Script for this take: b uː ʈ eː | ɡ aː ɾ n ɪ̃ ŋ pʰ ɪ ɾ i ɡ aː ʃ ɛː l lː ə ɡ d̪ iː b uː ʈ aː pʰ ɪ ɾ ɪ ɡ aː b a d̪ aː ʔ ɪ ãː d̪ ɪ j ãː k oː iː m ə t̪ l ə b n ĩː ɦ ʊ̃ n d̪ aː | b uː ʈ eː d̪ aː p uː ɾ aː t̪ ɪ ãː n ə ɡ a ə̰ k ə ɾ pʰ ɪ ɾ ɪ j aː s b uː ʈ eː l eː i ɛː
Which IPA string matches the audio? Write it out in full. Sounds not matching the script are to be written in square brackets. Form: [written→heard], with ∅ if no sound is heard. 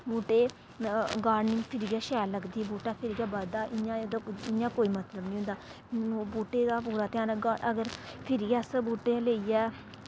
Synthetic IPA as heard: b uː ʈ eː | ɡ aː ɾ n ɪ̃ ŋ pʰ ɪ ɾ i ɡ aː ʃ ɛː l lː ə ɡ d̪ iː b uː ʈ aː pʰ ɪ ɾ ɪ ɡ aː b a d̪ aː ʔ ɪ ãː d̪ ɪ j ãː k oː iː m ə t̪ l ə b n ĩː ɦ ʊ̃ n d̪ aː | b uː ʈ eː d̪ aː p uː ɾ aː t̪ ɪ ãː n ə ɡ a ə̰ [k→ɡ] ə ɾ pʰ ɪ ɾ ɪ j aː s b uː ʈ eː l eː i ɛː